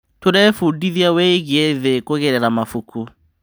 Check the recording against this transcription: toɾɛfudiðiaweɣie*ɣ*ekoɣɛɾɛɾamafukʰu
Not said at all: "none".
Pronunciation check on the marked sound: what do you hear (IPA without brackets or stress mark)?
ð